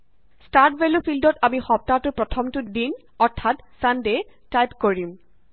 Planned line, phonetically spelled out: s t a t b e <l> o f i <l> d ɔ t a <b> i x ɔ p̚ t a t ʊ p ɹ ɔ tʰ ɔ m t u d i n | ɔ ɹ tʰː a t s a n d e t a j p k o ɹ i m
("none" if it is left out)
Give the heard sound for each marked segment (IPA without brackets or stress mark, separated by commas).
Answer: l, l, m